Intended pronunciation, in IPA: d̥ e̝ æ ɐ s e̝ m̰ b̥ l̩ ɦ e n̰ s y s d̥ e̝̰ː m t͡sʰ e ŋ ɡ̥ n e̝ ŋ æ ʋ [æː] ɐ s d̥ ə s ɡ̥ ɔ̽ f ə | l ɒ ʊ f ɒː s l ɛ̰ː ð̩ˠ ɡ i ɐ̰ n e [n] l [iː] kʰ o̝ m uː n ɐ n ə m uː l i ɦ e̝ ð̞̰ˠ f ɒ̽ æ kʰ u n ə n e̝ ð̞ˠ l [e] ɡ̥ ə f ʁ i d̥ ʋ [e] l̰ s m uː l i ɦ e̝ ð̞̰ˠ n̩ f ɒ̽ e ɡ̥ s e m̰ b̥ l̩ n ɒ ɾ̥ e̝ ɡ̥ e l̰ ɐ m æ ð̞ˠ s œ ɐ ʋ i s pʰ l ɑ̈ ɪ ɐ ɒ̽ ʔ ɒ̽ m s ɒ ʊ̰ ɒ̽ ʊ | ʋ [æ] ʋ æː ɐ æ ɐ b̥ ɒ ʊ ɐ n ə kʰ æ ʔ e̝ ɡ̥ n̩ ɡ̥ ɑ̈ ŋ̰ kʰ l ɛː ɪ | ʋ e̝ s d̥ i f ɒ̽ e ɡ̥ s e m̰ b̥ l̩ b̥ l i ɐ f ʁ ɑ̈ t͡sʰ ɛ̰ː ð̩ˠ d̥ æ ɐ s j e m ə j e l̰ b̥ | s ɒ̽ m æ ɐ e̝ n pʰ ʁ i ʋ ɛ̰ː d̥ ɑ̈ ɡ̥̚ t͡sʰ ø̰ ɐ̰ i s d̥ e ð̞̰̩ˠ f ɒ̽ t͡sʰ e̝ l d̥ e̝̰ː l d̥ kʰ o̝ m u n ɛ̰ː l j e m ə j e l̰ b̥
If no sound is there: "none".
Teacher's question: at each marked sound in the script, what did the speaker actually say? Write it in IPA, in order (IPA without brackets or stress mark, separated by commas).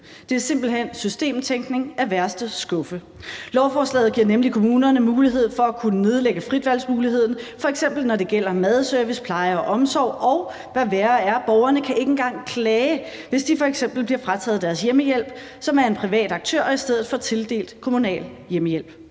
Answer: æ, m, i, e, æ, æ